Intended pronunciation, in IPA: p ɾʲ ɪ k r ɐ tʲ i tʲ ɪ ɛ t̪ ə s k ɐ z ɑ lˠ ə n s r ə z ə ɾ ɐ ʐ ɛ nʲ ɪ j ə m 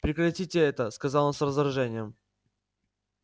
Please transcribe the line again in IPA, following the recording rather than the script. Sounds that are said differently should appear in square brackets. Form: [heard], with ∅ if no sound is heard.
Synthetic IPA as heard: p ɾʲ ɪ k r ɐ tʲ i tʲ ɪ ɛ t̪ ə s k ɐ z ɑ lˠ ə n s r ə z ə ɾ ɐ ʐ ɛ nʲ ɪ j ə m